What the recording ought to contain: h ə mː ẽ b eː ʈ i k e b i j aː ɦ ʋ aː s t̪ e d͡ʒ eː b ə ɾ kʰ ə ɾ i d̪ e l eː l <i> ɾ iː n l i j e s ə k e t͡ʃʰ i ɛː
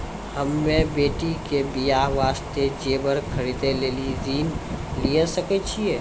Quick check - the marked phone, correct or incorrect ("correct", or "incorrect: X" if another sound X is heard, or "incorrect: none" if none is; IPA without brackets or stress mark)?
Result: correct